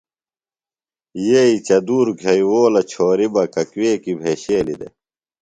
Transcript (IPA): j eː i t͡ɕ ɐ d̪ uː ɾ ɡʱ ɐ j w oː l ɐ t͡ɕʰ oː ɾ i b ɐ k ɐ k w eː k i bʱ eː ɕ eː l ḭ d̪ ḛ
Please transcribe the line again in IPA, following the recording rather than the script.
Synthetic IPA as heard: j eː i t͡ɕ ɐ d̪ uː ɾ ɡʱ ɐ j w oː l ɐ t͡ɕʰ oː ɾ i b ɐ k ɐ k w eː k i bʱ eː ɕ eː l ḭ d̪ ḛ